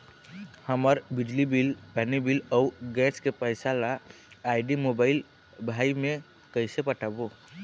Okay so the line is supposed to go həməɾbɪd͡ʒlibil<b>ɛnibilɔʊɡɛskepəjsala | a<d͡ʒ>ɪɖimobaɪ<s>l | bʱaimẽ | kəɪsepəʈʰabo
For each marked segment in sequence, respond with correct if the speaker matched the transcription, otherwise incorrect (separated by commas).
incorrect, incorrect, incorrect